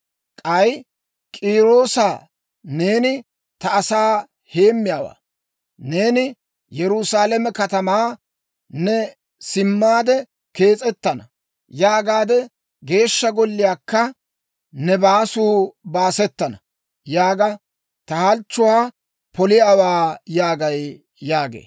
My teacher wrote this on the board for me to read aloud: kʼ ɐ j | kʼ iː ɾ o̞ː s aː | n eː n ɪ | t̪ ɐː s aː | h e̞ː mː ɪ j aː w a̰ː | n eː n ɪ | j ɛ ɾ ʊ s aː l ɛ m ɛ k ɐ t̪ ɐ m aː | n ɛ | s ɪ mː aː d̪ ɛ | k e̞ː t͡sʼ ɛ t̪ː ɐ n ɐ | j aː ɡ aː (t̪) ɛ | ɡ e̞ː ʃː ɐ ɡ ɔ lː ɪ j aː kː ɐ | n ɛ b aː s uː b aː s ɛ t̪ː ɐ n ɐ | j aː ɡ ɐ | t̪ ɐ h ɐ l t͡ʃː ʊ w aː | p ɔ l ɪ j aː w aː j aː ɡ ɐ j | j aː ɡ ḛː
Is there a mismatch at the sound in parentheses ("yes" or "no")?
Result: yes